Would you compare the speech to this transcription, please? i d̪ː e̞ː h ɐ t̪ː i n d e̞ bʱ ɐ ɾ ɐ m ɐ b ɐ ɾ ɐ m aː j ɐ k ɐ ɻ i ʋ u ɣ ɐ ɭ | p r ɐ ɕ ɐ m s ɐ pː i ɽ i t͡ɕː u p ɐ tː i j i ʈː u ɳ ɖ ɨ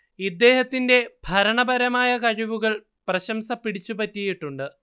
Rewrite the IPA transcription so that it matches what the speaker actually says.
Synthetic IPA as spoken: i d̪ː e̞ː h ɐ t̪ː i n d e̞ bʱ ɐ ɾ ɐ ɳ ɐ b ɐ ɾ ɐ m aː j ɐ k ɐ ɻ i ʋ u ɣ ɐ ɭ | p r ɐ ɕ ɐ m s ɐ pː i ɽ i t͡ɕː u p ɐ tː i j i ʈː u ɳ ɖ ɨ